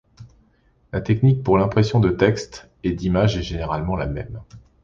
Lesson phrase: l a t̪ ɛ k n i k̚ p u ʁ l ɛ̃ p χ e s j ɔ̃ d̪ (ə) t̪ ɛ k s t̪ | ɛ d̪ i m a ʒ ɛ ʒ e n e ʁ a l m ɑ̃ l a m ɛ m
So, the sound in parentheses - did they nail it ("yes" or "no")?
yes